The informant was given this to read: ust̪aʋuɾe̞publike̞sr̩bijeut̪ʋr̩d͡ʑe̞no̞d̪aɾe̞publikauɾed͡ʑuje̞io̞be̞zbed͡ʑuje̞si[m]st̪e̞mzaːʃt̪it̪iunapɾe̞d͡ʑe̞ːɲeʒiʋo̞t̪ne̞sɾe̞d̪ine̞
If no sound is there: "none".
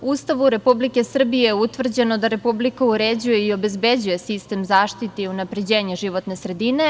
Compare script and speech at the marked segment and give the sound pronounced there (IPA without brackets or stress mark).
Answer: none